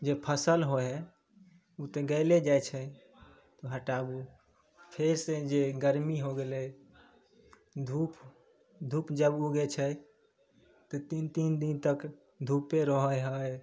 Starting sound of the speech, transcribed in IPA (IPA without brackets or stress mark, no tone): d͡ʒ